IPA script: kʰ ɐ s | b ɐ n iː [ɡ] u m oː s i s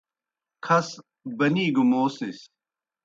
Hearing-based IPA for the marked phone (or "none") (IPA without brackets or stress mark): ɡ